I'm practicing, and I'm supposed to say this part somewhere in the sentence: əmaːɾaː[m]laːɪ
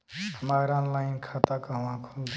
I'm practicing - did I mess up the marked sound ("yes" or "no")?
yes